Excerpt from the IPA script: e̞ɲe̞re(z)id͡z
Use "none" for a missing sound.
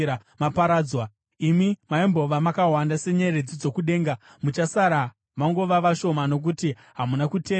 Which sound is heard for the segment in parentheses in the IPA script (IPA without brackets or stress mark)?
d͡z